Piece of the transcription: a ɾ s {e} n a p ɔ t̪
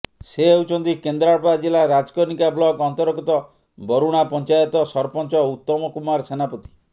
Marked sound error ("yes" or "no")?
no